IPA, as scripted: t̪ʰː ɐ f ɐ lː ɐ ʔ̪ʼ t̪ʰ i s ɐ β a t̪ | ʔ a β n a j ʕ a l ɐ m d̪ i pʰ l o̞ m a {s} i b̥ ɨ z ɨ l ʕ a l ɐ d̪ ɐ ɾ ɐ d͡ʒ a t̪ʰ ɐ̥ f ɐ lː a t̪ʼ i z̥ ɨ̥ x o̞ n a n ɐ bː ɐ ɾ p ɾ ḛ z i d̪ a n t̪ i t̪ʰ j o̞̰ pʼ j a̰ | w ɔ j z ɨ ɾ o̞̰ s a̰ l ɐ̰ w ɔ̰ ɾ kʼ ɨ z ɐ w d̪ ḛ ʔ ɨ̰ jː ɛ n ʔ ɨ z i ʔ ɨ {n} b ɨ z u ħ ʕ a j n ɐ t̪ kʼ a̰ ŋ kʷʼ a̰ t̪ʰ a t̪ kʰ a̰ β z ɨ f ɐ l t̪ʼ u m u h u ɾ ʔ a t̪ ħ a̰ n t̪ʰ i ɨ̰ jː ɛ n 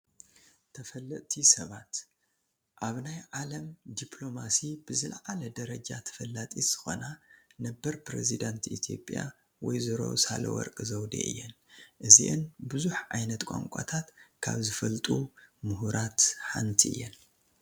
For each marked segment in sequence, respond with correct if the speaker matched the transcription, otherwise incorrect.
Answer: correct, correct

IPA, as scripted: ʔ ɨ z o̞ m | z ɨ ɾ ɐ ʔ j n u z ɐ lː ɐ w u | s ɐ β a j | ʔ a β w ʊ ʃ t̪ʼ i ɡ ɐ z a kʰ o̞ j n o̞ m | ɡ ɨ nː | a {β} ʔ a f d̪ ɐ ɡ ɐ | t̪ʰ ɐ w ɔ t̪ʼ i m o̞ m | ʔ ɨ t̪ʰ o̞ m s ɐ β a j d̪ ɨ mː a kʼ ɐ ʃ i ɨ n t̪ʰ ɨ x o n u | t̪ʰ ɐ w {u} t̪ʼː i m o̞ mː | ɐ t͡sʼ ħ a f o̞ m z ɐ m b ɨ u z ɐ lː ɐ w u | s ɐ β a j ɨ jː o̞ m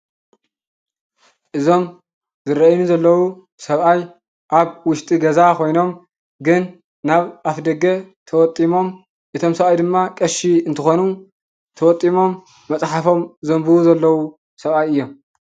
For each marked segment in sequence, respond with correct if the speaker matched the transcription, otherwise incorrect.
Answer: correct, incorrect: ɔ

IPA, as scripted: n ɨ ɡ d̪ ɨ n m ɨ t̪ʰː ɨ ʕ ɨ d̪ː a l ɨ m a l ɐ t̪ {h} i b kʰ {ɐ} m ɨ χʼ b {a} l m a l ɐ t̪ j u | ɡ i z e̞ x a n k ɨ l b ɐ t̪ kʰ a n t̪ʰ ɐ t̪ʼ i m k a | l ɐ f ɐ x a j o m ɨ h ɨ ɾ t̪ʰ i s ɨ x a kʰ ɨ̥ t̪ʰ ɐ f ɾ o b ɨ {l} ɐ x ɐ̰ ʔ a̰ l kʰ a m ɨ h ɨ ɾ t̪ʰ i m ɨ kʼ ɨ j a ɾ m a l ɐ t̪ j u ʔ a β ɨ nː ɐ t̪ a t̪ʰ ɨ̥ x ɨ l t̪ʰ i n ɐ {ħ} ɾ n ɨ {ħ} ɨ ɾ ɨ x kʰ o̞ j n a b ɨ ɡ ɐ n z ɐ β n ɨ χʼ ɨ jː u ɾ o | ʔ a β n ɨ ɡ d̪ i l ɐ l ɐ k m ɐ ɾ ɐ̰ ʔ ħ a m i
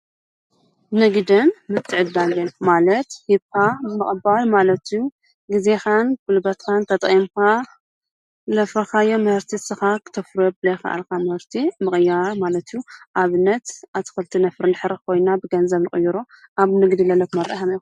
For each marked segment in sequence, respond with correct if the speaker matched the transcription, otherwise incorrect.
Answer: correct, incorrect: a, correct, correct, incorrect: f, correct

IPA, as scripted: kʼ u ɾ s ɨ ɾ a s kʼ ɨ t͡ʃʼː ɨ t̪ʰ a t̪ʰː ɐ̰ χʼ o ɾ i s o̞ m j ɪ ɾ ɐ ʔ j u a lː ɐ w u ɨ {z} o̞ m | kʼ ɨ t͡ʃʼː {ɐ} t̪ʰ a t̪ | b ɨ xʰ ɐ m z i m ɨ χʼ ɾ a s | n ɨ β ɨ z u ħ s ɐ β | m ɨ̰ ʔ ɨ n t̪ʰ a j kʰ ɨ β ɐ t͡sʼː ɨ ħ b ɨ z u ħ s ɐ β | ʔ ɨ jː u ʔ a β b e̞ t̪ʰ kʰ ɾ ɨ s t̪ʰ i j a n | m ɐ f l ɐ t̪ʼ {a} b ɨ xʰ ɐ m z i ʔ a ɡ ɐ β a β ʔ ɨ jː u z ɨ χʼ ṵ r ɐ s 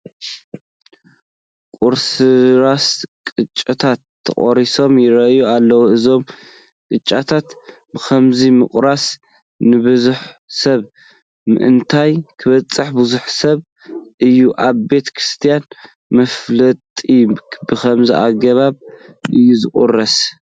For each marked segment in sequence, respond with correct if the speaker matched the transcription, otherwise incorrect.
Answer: correct, incorrect: a, incorrect: i

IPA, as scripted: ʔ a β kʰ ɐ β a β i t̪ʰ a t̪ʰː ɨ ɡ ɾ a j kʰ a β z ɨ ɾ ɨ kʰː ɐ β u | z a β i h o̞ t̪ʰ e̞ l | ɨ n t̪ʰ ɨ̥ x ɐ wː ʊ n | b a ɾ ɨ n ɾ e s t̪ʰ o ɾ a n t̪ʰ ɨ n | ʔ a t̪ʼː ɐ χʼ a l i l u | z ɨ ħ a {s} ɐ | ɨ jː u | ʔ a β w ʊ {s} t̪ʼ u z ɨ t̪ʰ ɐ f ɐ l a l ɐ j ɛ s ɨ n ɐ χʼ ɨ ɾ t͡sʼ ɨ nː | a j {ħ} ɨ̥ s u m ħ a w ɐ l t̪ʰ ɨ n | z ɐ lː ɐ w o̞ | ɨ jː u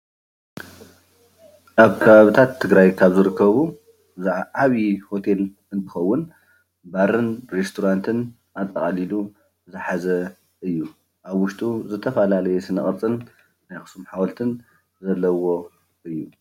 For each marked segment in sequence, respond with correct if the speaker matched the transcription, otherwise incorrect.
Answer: incorrect: z, incorrect: ʃ, incorrect: x

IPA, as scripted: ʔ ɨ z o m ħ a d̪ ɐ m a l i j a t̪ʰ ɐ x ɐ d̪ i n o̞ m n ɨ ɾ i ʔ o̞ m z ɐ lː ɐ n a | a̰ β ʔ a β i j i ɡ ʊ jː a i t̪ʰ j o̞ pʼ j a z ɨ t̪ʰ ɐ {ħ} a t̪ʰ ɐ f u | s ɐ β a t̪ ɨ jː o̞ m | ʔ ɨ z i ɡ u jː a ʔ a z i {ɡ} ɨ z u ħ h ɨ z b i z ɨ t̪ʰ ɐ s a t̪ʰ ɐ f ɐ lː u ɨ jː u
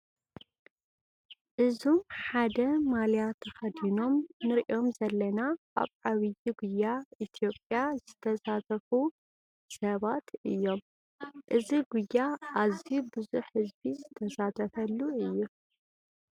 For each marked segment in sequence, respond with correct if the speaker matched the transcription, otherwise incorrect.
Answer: incorrect: s, incorrect: b

